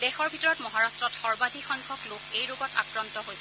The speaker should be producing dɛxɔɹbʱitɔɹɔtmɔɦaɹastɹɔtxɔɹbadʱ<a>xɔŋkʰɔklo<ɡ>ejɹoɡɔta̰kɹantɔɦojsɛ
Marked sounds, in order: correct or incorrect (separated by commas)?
incorrect, incorrect